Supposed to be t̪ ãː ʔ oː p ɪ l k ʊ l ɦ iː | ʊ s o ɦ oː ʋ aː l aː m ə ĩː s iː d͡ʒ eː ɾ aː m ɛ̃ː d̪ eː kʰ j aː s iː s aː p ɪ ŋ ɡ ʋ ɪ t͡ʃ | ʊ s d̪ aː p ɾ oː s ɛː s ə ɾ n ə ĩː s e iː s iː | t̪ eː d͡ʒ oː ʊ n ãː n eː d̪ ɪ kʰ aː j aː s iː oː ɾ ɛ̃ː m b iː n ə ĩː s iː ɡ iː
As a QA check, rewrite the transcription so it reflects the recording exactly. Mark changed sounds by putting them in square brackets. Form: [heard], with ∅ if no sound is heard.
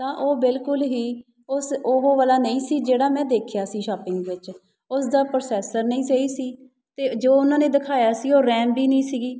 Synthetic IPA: t̪ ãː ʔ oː [b] ɪ l k ʊ l ɦ iː | ʊ s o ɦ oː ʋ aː l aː [n] ə ĩː s iː d͡ʒ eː [ɽ] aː m ɛ̃ː d̪ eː kʰ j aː s iː [ʃ] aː p ɪ ŋ ɡ ʋ ɪ t͡ʃ | ʊ s d̪ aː p ɾ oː s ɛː s ə ɾ n ə ĩː s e iː s iː | t̪ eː d͡ʒ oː ʊ n ãː n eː d̪ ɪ kʰ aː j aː s iː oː ɾ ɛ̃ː m b iː n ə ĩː s iː ɡ iː

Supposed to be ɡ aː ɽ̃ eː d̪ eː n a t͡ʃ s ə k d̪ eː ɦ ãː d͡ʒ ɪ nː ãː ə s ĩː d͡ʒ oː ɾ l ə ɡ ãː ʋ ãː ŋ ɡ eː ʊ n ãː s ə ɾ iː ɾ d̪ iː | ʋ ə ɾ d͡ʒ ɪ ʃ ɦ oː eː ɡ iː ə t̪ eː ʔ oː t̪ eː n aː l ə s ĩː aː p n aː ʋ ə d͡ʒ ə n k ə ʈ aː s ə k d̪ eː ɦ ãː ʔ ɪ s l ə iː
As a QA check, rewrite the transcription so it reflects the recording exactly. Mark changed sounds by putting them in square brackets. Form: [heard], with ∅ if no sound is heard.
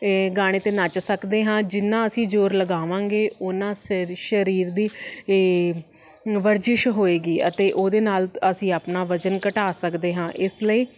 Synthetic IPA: ɡ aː ɽ̃ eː [t̪] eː n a t͡ʃ s ə k d̪ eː ɦ ãː d͡ʒ ɪ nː ãː ə s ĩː d͡ʒ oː ɾ l ə ɡ [aː] ʋ ãː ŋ ɡ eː ʊ n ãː [ʃ] ə ɾ iː ɾ d̪ iː | ʋ ə ɾ d͡ʒ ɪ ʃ ɦ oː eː ɡ iː ə t̪ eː ʔ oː [d̪] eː n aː l ə s ĩː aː p n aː ʋ ə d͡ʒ ə n k ə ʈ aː s ə k d̪ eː ɦ ãː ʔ ɪ s l ə iː

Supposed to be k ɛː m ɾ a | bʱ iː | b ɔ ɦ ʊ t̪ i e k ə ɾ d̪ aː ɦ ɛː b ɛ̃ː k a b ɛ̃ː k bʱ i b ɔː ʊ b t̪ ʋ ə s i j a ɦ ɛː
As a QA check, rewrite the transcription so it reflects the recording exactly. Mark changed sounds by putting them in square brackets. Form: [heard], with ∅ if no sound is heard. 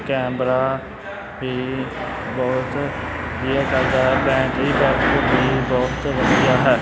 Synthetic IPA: k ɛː m ɾ a | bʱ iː | b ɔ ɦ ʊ t̪ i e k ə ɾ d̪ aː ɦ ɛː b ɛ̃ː k [i] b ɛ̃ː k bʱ i b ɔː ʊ [∅] t̪ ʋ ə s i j a ɦ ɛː

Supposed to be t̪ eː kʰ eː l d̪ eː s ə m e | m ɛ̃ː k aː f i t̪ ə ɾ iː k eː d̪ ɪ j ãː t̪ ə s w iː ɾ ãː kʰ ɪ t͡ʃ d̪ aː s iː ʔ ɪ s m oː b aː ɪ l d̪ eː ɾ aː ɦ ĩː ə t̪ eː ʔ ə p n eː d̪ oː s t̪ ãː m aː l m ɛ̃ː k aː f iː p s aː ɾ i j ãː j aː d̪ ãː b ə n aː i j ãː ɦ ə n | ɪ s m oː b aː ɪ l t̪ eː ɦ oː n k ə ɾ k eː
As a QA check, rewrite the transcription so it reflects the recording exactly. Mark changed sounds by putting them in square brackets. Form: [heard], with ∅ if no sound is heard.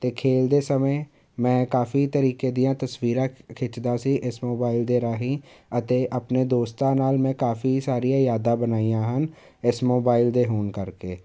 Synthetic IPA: t̪ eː kʰ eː l d̪ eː s ə m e | m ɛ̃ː k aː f i t̪ ə ɾ iː k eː d̪ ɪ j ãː t̪ ə s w iː ɾ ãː kʰ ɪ t͡ʃ d̪ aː s iː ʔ ɪ s m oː b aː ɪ l d̪ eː ɾ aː ɦ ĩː ə t̪ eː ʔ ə p n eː d̪ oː s t̪ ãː [n] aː l m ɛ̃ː k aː f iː [∅] s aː ɾ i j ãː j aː d̪ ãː b ə n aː i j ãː ɦ ə n | ɪ s m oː b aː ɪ l [d̪] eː ɦ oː n k ə ɾ k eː

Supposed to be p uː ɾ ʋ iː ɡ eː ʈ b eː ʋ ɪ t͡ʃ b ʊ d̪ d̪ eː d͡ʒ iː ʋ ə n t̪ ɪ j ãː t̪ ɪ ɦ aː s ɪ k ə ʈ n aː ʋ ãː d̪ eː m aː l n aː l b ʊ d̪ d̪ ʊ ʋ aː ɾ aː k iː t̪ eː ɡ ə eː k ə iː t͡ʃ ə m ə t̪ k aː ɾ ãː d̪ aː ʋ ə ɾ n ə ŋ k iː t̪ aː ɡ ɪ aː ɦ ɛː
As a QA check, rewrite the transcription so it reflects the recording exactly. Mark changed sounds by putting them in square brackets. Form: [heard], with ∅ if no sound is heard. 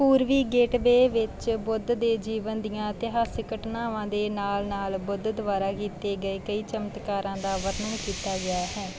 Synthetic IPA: p uː ɾ ʋ iː ɡ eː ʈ b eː ʋ ɪ t͡ʃ b ʊ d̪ d̪ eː d͡ʒ iː ʋ ə n [d̪] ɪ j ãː t̪ ɪ ɦ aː s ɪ k ə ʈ n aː ʋ ãː d̪ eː [n] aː l n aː l b ʊ d̪ d̪ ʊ ʋ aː ɾ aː k iː t̪ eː ɡ ə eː k ə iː t͡ʃ ə m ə t̪ k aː ɾ ãː d̪ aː ʋ ə ɾ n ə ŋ k iː t̪ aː ɡ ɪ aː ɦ ɛː

